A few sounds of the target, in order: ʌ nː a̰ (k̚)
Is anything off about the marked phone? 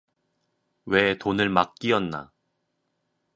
yes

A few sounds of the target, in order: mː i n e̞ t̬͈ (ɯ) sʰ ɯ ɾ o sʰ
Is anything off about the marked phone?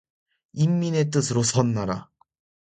no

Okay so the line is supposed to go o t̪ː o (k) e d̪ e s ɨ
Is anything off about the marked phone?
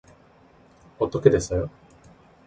no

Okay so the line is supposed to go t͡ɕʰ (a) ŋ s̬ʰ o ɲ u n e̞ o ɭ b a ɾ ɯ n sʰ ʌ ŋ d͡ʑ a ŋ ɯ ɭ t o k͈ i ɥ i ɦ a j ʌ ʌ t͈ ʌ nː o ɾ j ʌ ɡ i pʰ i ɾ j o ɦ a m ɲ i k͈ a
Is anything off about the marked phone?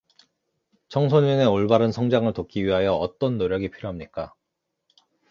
yes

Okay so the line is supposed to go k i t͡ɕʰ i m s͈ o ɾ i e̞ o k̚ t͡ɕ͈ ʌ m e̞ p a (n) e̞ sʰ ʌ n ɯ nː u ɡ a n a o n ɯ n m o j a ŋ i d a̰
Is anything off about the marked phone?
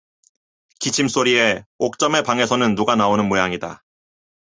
yes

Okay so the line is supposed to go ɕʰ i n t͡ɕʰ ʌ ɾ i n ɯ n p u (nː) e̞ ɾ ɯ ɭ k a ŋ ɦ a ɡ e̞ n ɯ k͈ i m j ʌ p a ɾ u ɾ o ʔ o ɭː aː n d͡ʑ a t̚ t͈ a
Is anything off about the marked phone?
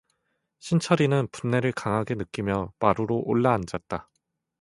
no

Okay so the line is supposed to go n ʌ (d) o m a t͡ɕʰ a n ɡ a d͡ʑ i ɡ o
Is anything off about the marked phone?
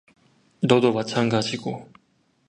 no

